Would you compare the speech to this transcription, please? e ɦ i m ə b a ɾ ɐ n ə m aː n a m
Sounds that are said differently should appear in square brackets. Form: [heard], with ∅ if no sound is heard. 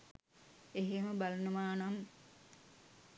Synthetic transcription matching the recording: e ɦ [e] m ə b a [l] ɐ n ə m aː n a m